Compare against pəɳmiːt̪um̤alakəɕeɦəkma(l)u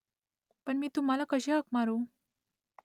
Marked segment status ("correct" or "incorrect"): incorrect